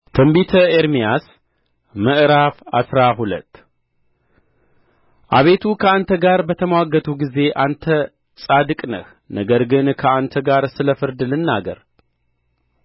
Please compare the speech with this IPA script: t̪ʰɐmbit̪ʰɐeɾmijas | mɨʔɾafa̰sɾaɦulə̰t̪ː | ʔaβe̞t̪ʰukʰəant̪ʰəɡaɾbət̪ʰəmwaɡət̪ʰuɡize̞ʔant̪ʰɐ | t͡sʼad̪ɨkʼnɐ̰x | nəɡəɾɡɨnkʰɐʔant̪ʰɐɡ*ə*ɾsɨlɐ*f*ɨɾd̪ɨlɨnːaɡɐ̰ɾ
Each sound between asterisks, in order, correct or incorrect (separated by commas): incorrect, correct